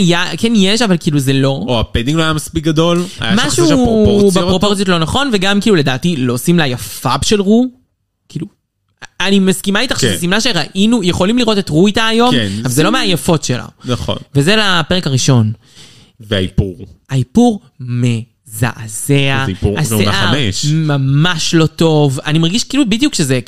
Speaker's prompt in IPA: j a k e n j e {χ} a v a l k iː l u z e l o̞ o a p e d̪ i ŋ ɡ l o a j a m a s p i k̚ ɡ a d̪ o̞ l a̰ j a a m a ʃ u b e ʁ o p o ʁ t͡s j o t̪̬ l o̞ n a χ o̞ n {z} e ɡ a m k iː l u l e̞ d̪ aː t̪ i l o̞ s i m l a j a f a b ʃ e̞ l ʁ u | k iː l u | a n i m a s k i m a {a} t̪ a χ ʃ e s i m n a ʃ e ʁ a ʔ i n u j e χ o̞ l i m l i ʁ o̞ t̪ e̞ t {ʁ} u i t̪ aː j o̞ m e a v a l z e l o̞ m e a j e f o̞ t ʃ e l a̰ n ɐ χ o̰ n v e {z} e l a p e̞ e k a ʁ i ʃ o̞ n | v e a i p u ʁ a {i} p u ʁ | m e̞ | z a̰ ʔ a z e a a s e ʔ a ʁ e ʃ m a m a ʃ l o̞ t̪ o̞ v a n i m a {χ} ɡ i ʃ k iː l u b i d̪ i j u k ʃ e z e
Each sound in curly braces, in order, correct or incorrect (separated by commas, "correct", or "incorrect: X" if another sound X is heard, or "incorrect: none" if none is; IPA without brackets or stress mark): incorrect: ʃ, incorrect: v, incorrect: i, correct, correct, correct, incorrect: ʁ